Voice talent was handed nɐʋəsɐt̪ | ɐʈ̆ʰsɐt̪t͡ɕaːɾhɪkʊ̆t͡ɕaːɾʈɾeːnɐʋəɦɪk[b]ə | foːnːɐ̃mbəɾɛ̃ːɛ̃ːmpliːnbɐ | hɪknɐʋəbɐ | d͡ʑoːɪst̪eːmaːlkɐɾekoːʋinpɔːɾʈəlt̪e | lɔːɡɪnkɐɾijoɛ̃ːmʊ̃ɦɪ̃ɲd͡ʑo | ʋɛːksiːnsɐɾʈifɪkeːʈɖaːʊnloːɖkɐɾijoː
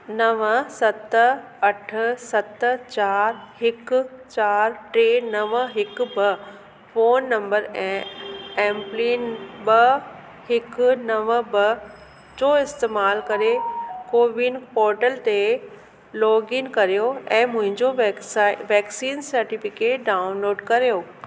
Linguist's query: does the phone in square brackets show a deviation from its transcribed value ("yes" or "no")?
no